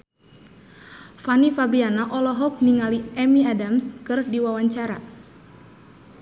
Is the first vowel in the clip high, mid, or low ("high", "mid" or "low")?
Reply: low